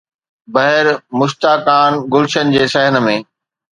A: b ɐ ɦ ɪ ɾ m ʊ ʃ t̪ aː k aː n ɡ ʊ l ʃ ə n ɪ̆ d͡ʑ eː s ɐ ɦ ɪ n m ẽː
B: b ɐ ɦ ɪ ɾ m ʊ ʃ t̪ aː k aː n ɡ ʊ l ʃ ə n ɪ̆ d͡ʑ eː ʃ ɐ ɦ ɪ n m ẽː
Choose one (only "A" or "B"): A